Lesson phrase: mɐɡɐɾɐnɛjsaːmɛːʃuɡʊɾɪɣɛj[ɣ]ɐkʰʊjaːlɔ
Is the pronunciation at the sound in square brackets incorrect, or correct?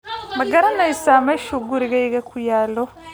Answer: correct